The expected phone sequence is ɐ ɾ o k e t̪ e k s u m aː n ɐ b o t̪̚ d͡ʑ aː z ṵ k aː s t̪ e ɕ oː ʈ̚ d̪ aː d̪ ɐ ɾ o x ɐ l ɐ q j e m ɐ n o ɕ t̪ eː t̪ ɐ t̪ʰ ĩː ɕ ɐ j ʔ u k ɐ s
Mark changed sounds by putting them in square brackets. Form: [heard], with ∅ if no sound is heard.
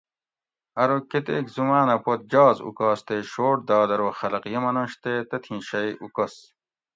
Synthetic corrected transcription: ɐ ɾ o k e t̪ e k [z] u m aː n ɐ [p] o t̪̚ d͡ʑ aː z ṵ k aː s t̪ e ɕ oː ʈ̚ d̪ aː d̪ ɐ ɾ o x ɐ l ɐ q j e m ɐ n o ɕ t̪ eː t̪ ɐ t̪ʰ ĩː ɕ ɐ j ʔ u k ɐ s

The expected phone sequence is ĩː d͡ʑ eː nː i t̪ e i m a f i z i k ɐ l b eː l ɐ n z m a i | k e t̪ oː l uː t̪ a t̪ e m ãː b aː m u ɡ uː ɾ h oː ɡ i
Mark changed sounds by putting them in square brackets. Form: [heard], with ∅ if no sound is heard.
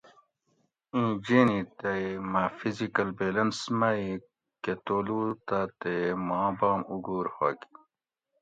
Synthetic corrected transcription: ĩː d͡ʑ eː [n] i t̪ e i m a f i z i k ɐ l b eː l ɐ n [s] m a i | k e t̪ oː l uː t̪ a t̪ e m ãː b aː m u ɡ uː ɾ h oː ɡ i

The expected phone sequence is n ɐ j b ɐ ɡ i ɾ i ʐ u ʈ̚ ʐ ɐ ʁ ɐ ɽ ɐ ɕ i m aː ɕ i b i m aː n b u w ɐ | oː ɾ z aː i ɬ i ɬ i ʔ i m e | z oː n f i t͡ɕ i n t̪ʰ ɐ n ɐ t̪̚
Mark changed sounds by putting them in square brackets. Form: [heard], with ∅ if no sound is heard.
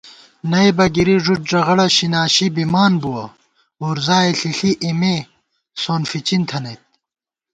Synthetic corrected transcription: n ɐ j b ɐ ɡ i ɾ i ʐ u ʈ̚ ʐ ɐ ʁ ɐ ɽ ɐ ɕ i [n] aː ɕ i b i m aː n b u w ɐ | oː ɾ z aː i ɬ i ɬ i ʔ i m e | [s] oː n f i t͡ɕ i n t̪ʰ ɐ n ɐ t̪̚

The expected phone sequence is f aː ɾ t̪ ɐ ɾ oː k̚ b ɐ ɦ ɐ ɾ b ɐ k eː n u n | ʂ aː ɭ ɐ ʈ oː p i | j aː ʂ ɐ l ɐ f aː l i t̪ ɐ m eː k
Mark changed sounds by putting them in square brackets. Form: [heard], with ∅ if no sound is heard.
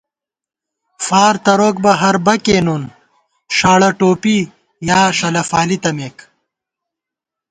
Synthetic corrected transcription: f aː ɾ t̪ ɐ ɾ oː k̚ b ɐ ɦ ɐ ɾ b ɐ k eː n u n | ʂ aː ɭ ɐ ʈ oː p i | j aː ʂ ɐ l ɐ f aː l i t̪ ɐ m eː k

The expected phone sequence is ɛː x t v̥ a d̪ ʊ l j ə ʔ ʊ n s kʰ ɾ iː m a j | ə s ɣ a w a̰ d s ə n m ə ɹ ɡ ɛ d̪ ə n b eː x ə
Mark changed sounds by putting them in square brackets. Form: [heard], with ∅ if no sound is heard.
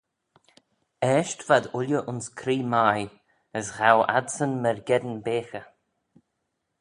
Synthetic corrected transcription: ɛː [ʃ] t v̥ a d̪ ʊ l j ə ʔ ʊ n s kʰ ɾ iː m a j | ə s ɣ a w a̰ d s ə n m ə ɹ ɡ ɛ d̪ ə n b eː x ə

